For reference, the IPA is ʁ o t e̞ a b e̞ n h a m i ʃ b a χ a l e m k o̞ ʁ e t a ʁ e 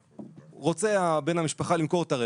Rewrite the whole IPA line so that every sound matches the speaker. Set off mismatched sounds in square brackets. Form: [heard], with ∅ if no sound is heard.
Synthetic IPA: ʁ o [t͡s] e̞ a b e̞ n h a m i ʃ [p] a χ a l [i] m k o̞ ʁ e t a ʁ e

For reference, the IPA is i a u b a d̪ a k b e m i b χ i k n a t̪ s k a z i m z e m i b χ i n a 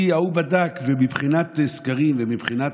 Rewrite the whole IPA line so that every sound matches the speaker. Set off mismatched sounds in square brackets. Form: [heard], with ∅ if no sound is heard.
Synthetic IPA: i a u b a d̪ a k [v] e m i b χ i [∅] n a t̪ s k a [ʁ] i m [v] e m i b χ i n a

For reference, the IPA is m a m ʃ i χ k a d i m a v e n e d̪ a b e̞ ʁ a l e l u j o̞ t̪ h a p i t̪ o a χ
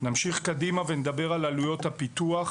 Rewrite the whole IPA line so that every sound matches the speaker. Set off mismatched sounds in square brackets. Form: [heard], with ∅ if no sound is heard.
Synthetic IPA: [n] a m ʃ i χ k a d i m a v e n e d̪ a b e̞ ʁ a l [a] l u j o̞ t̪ h a p i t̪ [u] a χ

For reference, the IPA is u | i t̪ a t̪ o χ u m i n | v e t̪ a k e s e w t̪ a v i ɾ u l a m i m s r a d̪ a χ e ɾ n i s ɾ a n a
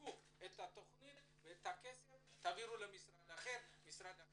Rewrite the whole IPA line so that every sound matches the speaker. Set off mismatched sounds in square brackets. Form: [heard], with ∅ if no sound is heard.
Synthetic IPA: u | [e] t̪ a t̪ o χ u [n] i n | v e t̪ a k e s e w t̪ a v i ɾ u l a m i [∅] s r a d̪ a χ e ɾ [m] i s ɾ a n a

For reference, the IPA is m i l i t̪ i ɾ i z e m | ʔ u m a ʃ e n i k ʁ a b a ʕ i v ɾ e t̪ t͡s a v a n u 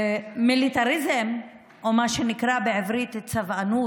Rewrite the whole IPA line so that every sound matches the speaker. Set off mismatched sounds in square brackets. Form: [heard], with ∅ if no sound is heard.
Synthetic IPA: m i l i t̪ [a] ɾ i z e m | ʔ [o] m a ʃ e n i k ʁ a b [e] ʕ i v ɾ [i] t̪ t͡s a v a n u

